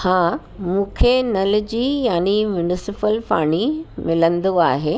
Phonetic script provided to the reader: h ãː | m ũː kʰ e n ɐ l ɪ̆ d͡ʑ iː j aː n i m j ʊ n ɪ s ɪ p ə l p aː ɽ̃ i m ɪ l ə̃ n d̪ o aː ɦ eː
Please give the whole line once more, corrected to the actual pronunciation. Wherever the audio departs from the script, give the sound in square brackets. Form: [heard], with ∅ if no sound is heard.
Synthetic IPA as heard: h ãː | m ũː kʰ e n ɐ l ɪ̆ d͡ʑ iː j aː n i m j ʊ n ɪ s ɪ p ə l p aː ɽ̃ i m ɪ l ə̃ n d̪ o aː ɦ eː